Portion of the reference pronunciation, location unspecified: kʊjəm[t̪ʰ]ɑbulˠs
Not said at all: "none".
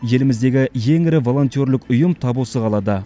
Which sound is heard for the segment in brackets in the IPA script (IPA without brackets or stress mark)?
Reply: t̪ʰ